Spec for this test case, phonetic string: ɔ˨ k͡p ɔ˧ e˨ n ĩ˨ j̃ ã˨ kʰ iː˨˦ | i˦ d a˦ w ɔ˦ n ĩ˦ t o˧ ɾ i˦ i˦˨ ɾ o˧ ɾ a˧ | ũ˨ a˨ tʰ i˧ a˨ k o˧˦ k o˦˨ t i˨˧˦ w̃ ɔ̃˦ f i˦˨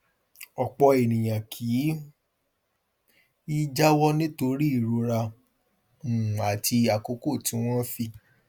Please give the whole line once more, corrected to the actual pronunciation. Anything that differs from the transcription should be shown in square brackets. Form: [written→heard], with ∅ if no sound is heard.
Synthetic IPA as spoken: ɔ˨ k͡p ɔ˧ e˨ n ĩ˨ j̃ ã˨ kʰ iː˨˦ | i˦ [d→d͡ʒ] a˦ w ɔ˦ n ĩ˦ t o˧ ɾ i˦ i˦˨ ɾ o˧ ɾ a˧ | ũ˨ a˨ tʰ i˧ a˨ k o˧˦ k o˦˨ t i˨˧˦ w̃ ɔ̃˦ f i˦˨